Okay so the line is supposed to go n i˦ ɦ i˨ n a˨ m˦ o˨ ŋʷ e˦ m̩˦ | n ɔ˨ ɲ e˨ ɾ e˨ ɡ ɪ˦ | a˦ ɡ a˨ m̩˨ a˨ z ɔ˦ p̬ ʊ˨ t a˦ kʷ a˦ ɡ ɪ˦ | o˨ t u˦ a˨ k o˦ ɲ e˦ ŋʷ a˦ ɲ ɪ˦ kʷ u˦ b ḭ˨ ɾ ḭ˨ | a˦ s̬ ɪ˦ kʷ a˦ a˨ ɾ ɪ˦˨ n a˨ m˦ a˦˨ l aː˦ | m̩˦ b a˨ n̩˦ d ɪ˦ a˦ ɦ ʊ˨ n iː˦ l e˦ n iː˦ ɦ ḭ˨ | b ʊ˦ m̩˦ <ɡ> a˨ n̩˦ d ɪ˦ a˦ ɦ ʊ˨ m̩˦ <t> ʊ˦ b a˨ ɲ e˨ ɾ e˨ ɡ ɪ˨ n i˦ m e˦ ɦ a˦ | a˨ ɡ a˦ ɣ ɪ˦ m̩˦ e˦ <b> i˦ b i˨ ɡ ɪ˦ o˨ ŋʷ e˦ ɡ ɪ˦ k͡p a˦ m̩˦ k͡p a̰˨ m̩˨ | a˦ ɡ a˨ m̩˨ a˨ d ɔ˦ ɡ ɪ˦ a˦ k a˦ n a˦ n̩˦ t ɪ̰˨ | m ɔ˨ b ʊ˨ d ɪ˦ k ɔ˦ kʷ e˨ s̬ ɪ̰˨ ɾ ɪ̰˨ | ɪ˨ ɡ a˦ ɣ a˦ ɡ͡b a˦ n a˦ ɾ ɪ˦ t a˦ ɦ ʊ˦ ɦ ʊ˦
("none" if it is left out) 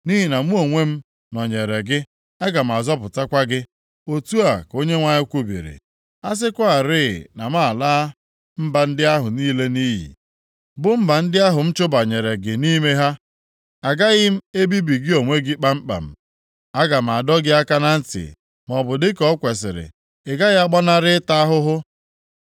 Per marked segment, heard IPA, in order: b, t͡ʃ, b

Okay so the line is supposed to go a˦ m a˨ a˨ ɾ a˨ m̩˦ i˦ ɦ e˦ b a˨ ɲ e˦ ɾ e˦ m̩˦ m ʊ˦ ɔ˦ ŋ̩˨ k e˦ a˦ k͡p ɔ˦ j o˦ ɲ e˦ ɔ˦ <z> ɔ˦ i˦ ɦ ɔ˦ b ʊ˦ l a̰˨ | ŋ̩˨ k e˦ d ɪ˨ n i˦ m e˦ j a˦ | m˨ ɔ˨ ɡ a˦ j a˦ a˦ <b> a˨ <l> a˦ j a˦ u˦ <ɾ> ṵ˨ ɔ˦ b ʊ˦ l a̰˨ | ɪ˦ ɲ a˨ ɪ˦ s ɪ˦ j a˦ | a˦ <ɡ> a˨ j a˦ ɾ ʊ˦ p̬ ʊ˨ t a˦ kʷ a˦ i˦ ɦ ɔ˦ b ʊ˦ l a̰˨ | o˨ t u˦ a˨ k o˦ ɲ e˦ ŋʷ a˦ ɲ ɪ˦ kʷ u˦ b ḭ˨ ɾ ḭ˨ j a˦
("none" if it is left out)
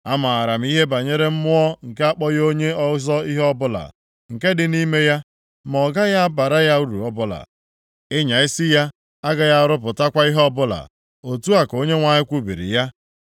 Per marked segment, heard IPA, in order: z, b, ɾ, ɾ, ɡ

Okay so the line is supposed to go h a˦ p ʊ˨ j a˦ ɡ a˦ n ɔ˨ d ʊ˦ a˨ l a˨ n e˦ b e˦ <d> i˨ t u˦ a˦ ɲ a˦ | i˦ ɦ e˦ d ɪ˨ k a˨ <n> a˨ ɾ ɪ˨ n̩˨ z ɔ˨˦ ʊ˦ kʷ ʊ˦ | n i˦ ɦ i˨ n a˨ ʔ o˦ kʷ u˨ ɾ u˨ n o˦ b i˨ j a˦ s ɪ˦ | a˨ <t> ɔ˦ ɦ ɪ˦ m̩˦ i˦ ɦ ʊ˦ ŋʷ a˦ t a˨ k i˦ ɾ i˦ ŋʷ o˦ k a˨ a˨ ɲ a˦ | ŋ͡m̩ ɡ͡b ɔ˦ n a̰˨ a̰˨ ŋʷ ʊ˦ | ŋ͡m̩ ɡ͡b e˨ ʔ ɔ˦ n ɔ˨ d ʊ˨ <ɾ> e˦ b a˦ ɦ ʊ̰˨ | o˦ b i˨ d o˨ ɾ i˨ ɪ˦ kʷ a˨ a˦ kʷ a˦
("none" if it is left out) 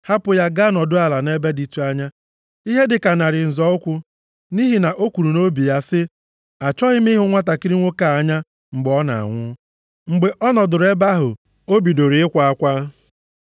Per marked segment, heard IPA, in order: d, n, t͡ʃ, ɾ

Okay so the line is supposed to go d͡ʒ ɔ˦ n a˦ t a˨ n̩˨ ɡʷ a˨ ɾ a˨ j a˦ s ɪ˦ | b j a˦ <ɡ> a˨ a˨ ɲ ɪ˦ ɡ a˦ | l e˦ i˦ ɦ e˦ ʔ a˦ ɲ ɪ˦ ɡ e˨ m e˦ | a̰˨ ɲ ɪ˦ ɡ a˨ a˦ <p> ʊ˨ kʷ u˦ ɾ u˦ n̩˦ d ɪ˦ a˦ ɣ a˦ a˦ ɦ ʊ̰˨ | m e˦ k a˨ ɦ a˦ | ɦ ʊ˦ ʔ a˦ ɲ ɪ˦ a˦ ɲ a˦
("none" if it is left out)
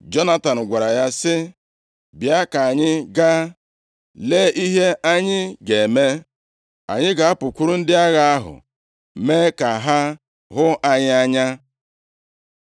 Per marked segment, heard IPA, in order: k, p

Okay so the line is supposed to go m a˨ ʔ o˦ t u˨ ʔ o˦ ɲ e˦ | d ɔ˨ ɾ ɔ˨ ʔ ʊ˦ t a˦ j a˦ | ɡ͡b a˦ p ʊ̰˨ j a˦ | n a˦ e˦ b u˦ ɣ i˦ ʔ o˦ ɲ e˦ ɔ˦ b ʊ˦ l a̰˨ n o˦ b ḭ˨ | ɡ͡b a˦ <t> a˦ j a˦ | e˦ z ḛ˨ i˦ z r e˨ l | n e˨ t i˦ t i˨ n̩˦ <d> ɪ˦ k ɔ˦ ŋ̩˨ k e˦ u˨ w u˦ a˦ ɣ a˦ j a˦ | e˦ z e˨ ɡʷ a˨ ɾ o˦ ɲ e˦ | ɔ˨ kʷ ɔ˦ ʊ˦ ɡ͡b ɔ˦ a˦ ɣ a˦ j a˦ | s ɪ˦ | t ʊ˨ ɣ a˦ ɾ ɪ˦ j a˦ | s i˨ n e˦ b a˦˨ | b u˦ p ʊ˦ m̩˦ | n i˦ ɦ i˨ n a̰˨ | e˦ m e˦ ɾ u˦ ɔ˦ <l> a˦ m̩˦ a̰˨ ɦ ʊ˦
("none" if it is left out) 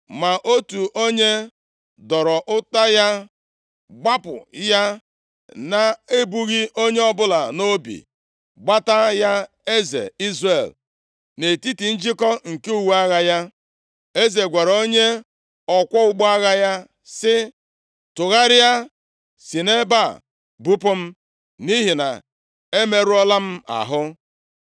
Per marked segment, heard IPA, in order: t, d͡ʒ, l

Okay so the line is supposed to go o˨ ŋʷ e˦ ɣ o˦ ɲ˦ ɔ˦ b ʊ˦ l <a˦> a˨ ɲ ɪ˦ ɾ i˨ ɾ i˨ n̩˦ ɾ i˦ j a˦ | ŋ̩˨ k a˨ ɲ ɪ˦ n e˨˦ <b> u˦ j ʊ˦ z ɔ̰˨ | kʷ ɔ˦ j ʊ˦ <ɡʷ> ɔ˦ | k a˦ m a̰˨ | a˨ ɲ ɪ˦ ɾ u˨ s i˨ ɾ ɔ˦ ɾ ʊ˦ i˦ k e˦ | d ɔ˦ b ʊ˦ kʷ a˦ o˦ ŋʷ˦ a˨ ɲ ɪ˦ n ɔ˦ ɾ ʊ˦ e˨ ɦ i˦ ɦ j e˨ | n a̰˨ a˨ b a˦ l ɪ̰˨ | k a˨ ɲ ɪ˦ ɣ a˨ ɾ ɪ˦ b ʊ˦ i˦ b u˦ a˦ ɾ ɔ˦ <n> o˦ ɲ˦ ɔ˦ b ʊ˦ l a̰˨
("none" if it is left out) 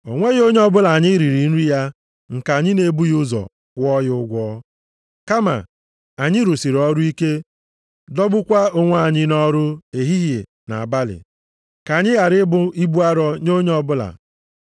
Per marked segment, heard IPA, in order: a˨, b, ɡʷ, ɲ

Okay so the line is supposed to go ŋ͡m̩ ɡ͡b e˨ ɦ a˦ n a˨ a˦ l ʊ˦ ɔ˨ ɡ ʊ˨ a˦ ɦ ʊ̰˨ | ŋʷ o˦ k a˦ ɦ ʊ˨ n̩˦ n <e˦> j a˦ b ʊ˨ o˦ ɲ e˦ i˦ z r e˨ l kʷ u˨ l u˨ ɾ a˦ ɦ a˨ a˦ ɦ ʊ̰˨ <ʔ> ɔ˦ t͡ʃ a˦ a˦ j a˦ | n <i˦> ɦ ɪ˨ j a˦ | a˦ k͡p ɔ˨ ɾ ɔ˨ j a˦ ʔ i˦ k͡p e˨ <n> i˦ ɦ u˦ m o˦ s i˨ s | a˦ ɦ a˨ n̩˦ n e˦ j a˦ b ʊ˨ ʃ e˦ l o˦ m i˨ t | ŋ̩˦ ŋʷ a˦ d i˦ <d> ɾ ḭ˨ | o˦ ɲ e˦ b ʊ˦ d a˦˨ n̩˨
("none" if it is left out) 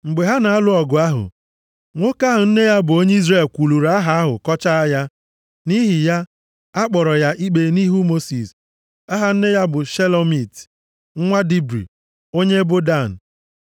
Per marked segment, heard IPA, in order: e˦, k, i˦, n, b

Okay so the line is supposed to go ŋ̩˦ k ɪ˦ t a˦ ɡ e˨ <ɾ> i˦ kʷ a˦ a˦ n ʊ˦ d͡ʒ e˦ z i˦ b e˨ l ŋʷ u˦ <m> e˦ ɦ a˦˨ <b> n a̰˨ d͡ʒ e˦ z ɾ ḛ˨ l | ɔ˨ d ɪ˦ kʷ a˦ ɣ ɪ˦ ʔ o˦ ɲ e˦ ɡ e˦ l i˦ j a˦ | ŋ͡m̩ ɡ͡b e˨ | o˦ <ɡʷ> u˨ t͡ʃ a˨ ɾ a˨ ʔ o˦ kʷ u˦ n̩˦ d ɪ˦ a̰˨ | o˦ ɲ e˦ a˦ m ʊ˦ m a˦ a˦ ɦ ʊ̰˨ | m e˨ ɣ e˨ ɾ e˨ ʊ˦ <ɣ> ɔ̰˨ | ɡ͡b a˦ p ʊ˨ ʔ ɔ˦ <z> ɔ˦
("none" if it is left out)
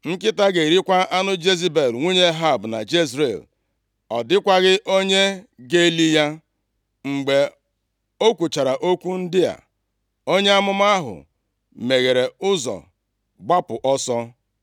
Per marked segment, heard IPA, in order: ɾ, ɲ, b, kʷ, z, s

